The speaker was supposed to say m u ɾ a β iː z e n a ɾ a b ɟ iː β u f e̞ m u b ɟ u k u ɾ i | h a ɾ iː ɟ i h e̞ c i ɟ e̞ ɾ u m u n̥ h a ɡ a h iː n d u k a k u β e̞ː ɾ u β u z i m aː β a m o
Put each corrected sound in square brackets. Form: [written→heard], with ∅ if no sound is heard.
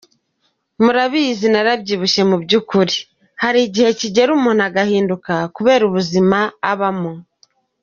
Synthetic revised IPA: m u ɾ a β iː z [e→i] n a ɾ a b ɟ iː β u [f→ʃ] e̞ m u b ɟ u k u ɾ i | h a ɾ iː ɟ i h e̞ c i ɟ e̞ ɾ u m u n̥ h a ɡ a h iː n d u k a k u β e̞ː ɾ u β u z i m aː β a m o